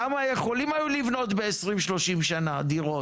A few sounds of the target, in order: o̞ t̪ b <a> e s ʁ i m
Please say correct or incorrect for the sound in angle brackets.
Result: incorrect